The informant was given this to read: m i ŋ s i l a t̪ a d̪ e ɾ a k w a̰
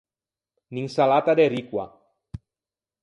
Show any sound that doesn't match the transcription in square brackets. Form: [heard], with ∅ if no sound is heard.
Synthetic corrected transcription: [n] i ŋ s [a] l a t̪ a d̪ e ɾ [i] k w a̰